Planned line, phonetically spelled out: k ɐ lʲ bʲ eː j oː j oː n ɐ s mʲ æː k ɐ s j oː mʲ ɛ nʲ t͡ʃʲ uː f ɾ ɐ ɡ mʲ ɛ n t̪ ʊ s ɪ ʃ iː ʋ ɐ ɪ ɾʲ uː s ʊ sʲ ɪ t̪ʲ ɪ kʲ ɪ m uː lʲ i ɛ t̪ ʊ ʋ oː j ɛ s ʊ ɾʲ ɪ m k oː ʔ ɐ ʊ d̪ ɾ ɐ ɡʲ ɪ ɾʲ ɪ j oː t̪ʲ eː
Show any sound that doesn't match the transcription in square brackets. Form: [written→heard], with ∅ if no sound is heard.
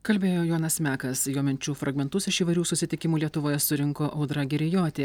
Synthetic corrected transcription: k ɐ lʲ bʲ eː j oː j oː n ɐ s mʲ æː k ɐ s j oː mʲ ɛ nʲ t͡ʃʲ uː f ɾ ɐ ɡ mʲ ɛ n t̪ ʊ s ɪ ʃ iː ʋ ɐ ɪ ɾʲ uː s ʊ sʲ ɪ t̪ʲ ɪ kʲ ɪ m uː lʲ i ɛ t̪ ʊ ʋ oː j ɛ s ʊ ɾʲ ɪ [m→ŋ] k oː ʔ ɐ ʊ d̪ ɾ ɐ ɡʲ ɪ ɾʲ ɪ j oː t̪ʲ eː